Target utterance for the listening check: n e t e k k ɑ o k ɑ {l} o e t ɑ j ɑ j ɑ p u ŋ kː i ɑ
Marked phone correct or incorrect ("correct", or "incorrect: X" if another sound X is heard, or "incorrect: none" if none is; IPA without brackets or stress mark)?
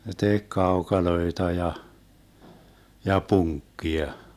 correct